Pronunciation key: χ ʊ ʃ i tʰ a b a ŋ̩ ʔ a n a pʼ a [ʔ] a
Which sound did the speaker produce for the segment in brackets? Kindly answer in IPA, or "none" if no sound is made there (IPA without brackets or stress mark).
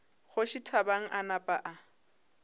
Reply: ʔ